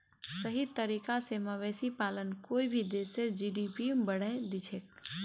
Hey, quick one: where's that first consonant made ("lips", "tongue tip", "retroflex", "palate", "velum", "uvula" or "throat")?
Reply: tongue tip